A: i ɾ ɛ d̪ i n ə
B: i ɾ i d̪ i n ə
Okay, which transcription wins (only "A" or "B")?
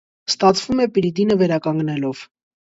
B